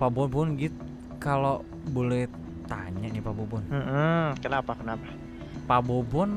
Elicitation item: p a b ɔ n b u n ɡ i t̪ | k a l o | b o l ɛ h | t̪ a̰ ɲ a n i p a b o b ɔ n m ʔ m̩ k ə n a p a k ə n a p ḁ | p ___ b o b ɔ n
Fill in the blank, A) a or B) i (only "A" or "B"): A